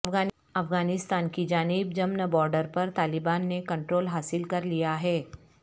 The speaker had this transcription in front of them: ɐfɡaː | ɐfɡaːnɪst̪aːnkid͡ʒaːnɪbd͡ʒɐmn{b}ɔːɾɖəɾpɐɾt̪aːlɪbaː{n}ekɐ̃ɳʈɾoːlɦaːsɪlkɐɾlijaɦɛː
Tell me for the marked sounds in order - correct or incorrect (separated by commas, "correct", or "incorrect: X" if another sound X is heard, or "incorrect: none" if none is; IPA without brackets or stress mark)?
correct, incorrect: nː